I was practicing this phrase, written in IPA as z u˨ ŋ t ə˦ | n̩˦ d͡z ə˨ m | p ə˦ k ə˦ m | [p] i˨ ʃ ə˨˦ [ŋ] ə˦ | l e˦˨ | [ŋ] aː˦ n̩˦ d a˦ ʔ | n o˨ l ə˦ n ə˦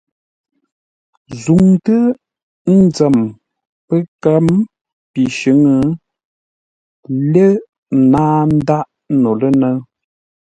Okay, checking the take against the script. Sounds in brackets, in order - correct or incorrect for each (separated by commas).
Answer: correct, correct, incorrect